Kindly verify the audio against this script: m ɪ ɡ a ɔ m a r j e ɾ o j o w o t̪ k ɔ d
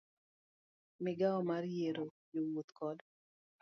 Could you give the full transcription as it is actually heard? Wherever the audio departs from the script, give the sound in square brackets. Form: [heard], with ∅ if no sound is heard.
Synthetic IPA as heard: m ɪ ɡ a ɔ m a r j e ɾ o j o w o t̪ k ɔ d